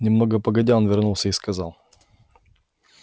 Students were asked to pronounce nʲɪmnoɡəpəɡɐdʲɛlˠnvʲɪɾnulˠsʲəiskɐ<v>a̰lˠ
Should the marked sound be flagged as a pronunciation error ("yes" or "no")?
yes